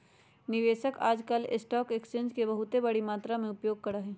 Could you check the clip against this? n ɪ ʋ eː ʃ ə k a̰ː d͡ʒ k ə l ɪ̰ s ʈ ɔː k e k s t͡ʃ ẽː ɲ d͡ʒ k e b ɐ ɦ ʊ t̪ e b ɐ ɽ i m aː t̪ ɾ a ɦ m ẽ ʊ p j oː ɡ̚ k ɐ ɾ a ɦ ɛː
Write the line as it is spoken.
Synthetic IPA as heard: n ɪ ʋ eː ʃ ə k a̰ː d͡ʒ k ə l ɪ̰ s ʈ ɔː k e k s t͡ʃ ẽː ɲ d͡ʒ k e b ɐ ɦ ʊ t̪ e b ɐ ɽ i m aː t̪ ɾ a m ẽ ʊ p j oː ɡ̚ k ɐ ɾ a ɦ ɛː